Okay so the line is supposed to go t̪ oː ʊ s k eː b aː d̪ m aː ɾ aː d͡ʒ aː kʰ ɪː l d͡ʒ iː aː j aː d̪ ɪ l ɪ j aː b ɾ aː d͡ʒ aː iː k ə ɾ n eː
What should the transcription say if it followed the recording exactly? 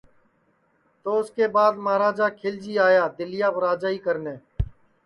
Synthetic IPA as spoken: t̪ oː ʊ s k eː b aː d̪ m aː ɾ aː d͡ʒ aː kʰ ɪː l d͡ʒ iː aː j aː d̪ ɪ l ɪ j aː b ɾ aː d͡ʒ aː iː k ə ɾ n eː